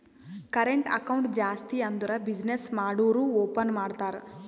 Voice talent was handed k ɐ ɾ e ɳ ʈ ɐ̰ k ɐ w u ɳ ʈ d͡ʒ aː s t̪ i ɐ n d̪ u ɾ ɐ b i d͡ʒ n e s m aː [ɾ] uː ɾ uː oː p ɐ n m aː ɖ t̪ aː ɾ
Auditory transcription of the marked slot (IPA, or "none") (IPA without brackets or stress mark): ɽ